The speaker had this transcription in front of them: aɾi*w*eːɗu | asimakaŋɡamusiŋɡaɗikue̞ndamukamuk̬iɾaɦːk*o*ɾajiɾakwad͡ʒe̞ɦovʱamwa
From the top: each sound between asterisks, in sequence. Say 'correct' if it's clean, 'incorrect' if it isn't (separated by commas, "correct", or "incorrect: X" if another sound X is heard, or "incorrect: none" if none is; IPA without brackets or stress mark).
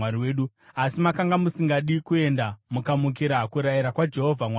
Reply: correct, incorrect: u